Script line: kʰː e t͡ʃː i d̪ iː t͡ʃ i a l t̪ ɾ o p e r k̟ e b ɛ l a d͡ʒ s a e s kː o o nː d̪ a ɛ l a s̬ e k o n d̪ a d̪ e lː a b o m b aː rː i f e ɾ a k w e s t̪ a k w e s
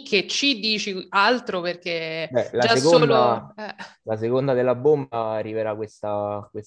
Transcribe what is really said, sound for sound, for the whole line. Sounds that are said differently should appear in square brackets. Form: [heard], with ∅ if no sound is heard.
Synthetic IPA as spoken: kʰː e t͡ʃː i d̪ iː t͡ʃ i a l t̪ ɾ o p e r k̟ e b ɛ l a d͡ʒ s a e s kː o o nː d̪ a ɛ l a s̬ e k o n d̪ a d̪ e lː a b o m b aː rː i [v] e ɾ a k w e s t̪ a k w e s